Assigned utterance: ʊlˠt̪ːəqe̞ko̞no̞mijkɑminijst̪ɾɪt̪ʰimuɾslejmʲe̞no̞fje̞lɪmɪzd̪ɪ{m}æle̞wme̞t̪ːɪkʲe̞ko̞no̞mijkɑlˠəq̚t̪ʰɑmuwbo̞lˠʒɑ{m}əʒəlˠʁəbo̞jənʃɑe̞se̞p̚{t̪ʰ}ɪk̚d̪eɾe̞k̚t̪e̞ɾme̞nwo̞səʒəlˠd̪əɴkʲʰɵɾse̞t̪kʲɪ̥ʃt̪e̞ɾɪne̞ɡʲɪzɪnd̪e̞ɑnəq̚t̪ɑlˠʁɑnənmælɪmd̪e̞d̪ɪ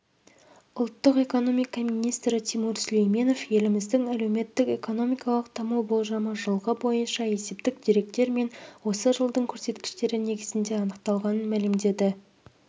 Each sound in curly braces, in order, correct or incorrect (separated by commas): incorrect, correct, incorrect